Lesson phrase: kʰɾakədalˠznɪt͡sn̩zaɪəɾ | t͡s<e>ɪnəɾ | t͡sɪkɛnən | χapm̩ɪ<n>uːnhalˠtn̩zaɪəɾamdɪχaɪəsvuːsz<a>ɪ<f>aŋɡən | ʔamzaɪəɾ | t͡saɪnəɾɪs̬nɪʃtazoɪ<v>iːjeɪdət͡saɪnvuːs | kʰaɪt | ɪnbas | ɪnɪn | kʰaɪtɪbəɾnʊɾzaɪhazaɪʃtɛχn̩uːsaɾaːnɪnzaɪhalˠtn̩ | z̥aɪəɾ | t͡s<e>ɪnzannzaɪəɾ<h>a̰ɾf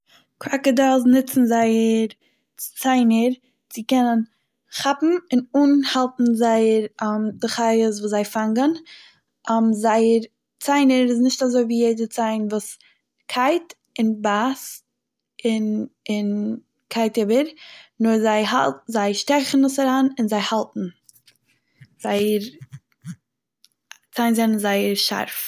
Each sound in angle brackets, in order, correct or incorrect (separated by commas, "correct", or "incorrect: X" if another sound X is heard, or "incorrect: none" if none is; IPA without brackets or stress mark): incorrect: a, correct, correct, correct, correct, incorrect: a, incorrect: ʃ